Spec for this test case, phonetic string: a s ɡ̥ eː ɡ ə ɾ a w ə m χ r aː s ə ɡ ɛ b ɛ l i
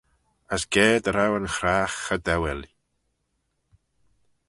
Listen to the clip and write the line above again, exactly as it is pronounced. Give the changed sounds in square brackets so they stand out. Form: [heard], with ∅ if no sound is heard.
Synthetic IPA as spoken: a s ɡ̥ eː [d] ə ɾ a w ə [n] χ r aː [χ] ə [d] ɛ [w] ɛ l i